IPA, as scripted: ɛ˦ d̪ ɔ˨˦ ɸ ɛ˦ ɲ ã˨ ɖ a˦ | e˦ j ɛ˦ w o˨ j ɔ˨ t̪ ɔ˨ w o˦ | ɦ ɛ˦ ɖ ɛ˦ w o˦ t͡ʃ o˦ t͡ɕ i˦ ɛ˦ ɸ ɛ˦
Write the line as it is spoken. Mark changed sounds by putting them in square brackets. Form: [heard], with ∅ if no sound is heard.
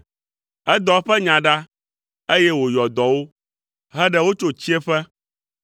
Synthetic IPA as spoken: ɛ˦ d̪ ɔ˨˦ ɸ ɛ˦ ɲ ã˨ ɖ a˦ | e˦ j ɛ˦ w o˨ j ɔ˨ [d̪] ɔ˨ w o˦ | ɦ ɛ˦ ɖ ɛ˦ w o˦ t͡ʃ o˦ t͡ɕ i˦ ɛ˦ ɸ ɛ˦